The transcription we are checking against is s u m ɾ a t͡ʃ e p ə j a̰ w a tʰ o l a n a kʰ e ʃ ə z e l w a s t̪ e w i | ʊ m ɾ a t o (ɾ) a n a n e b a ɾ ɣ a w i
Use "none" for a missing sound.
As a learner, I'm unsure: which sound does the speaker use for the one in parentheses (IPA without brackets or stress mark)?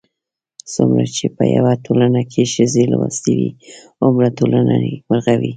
l